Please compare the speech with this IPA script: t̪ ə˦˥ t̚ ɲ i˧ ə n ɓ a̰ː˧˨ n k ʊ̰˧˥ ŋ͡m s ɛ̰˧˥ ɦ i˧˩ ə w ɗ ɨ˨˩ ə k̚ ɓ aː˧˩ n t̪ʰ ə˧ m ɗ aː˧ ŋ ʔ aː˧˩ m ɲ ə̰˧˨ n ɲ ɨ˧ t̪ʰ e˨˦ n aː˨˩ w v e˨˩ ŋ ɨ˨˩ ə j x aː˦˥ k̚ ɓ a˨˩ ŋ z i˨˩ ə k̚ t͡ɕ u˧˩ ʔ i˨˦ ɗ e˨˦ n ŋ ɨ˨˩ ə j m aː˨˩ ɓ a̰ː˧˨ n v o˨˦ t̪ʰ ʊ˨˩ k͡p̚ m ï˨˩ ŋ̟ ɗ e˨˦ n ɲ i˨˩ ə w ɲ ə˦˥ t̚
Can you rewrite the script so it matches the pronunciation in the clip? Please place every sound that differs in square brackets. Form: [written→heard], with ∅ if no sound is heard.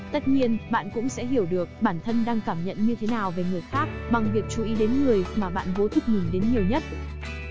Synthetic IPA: t̪ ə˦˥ t̚ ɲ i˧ ə n ɓ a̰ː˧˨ n k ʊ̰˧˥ ŋ͡m s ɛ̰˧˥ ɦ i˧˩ ə w ɗ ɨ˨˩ ə k̚ ɓ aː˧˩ n t̪ʰ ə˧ [m→n] ɗ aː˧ ŋ [ʔ→k] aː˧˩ m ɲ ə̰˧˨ n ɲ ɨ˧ t̪ʰ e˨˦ n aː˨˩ w v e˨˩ ŋ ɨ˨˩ ə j x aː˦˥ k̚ ɓ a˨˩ ŋ [z→v] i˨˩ ə k̚ t͡ɕ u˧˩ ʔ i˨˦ ɗ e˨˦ n ŋ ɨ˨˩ ə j m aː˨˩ ɓ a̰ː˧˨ n v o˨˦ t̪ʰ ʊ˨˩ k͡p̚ m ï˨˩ ŋ̟ ɗ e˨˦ n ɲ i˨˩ ə w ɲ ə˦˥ t̚